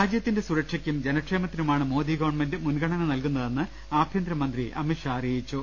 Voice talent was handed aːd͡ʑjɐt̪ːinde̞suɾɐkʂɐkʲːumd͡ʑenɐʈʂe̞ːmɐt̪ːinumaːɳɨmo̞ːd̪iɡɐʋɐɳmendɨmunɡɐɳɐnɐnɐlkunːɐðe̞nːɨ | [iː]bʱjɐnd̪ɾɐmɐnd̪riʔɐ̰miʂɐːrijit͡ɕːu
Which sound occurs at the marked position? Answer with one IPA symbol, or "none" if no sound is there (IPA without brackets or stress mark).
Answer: aː